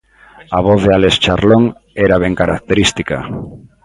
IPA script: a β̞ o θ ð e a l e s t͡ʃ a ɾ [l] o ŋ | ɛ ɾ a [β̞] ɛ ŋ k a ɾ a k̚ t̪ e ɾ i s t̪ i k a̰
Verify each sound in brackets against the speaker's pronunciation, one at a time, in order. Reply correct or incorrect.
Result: correct, correct

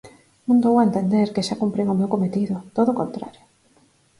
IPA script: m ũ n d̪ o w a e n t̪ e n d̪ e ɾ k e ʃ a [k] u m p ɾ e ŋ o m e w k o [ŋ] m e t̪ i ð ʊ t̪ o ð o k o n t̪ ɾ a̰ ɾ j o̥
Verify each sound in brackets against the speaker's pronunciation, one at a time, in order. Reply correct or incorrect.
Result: correct, incorrect: none

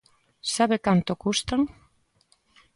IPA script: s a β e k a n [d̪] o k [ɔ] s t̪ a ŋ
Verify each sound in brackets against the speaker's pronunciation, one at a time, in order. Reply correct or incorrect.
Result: incorrect: t̪, incorrect: u

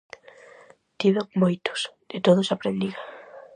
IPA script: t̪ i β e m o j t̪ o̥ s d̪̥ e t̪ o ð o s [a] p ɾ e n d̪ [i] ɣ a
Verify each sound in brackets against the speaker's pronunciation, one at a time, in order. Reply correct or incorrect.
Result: correct, correct

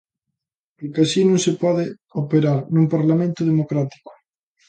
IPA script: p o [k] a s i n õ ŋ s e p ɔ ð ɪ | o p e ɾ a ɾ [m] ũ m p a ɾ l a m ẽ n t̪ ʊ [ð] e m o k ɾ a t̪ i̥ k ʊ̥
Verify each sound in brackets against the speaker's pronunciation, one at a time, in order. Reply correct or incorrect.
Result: correct, incorrect: n, correct

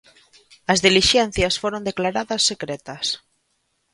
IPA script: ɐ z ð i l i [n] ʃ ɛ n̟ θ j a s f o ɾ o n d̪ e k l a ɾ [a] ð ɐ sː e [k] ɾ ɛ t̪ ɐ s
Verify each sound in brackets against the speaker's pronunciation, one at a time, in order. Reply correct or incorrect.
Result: incorrect: none, correct, correct

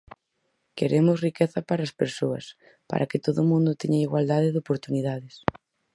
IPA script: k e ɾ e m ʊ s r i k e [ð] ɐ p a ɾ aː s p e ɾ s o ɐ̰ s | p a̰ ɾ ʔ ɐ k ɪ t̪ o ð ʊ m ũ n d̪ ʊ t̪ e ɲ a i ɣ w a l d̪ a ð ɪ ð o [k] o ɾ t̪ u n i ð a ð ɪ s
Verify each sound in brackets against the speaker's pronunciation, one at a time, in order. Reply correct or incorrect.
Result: incorrect: θ, incorrect: p

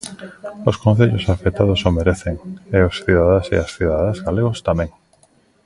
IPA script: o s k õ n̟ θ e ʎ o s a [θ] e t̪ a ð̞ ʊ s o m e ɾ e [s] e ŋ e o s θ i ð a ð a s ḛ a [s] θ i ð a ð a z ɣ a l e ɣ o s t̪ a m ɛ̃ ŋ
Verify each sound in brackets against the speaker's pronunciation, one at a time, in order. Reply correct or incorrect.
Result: incorrect: f, incorrect: θ, correct

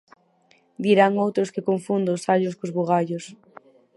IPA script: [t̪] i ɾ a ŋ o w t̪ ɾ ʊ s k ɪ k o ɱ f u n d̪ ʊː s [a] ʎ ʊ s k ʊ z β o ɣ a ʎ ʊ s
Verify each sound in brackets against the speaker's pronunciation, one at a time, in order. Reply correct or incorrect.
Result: incorrect: d̪, correct

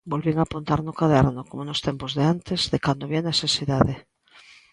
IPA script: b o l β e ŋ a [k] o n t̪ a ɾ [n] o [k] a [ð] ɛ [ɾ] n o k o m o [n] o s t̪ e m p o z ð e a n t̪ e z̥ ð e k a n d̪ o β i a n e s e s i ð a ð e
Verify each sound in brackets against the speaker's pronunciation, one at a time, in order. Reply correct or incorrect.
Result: incorrect: p, correct, correct, correct, correct, correct

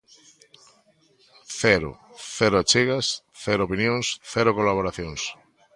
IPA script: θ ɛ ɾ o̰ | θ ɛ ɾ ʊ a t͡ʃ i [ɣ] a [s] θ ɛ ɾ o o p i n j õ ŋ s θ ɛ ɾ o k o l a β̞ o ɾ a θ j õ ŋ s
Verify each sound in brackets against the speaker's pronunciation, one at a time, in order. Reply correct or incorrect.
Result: correct, correct

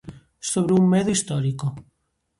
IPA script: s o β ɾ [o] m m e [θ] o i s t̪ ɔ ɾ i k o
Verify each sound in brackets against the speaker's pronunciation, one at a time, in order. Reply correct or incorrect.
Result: incorrect: u, incorrect: ð

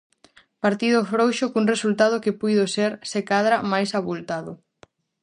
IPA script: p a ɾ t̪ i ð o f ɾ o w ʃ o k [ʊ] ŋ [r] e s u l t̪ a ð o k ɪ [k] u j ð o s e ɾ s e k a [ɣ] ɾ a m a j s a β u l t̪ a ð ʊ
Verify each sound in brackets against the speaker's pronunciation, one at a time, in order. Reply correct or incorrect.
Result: incorrect: u, correct, incorrect: p, incorrect: ð

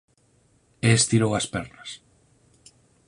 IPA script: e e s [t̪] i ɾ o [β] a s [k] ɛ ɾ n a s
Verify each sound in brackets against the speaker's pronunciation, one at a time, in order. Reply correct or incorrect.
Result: correct, incorrect: w, incorrect: p

